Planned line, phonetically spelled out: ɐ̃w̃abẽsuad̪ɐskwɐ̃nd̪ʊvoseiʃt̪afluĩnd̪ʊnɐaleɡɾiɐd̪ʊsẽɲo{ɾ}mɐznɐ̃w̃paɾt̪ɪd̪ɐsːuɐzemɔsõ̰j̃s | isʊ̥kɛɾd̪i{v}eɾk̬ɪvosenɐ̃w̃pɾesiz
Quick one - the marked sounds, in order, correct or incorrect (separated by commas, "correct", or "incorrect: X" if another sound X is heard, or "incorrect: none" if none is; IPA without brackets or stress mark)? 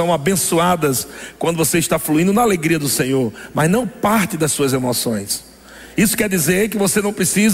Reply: correct, incorrect: z